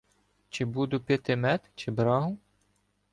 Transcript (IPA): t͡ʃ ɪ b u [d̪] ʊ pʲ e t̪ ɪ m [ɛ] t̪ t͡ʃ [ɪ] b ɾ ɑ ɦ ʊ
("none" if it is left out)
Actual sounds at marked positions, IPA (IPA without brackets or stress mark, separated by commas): d̪, ɛ, ɪ